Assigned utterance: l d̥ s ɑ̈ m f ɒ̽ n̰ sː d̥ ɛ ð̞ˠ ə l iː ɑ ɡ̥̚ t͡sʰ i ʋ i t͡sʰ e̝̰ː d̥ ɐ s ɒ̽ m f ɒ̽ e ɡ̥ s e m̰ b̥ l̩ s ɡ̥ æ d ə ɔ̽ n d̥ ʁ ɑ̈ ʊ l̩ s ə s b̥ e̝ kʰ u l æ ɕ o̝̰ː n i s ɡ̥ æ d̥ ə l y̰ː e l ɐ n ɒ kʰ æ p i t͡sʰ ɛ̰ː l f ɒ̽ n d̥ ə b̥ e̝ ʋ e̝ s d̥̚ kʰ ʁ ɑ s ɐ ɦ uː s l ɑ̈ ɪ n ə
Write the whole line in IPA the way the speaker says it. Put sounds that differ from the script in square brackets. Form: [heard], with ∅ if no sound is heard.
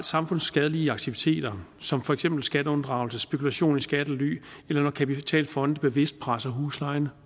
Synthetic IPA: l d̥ s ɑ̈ m f [ɔ̽] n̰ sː [ɡ̥] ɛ ð̞ˠ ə l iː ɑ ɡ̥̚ t͡sʰ i ʋ i t͡sʰ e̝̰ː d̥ ɐ s ɒ̽ m f ɒ̽ e ɡ̥ s e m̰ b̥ l̩ s ɡ̥ æ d ə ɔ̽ n d̥ ʁ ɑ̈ ʊ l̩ s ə s b̥ e̝ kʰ u l æ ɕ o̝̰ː n i s ɡ̥ æ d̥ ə l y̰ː e l ɐ n ɒ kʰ æ p i t͡sʰ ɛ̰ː l f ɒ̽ n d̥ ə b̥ e̝ ʋ e̝ s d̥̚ [pʰ] ʁ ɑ s ɐ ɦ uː s l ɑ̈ ɪ n ə